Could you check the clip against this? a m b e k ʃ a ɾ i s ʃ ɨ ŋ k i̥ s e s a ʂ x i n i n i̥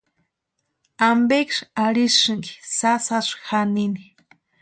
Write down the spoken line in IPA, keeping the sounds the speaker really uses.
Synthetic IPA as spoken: a m b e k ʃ a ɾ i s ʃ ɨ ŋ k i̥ s a s a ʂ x a n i n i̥